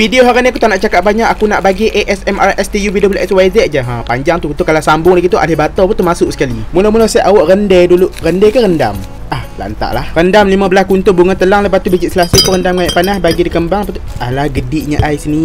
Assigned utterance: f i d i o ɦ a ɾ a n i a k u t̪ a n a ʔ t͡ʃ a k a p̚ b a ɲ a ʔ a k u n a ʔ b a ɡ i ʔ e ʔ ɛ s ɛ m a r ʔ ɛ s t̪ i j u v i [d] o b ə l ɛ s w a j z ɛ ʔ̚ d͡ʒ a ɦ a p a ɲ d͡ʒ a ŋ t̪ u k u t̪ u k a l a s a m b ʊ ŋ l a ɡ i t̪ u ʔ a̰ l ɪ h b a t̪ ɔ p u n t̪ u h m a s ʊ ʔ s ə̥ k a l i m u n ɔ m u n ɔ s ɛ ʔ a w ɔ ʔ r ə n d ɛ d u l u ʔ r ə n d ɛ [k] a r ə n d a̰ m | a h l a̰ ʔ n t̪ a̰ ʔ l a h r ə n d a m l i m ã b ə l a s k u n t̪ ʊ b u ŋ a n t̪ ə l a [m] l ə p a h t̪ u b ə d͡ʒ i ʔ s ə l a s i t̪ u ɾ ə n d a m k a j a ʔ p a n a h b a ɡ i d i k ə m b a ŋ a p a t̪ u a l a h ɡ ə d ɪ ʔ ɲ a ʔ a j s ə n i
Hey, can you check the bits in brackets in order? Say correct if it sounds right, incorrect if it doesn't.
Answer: correct, correct, incorrect

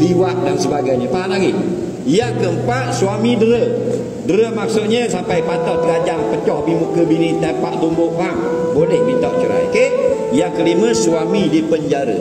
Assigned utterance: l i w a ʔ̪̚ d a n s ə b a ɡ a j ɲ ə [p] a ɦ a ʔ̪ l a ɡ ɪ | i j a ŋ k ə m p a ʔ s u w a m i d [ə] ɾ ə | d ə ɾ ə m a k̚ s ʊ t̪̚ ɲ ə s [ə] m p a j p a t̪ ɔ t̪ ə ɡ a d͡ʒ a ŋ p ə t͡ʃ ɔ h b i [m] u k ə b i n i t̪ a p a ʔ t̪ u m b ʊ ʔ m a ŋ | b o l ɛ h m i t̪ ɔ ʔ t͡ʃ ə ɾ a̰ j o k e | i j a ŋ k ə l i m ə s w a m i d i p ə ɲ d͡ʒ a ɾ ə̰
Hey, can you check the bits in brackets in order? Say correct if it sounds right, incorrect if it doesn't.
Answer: correct, correct, incorrect, correct

